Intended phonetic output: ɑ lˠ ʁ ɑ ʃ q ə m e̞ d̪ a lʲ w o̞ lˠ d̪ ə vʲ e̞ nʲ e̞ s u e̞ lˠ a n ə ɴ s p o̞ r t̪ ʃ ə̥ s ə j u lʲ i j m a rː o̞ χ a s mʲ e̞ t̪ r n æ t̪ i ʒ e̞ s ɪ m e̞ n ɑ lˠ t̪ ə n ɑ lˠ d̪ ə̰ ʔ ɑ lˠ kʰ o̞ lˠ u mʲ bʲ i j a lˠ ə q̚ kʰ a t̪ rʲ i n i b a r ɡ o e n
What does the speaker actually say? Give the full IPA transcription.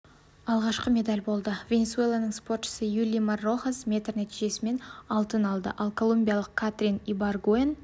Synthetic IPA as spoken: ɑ lˠ ʁ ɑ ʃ q ə m e̞ d̪ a lʲ b o̞ lˠ d̪ ə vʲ e̞ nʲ e̞ s u e̞ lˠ a n ə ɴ s p o̞ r t̪ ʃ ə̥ s ə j u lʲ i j m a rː o̞ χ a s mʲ e̞ t̪ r n æ t̪ i ʒ e̞ s ɪ m e̞ n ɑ lˠ t̪ ə n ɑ lˠ d̪ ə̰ ʔ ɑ lˠ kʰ o̞ lˠ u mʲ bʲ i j a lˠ ə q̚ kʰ a t̪ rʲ i n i b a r ɡ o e n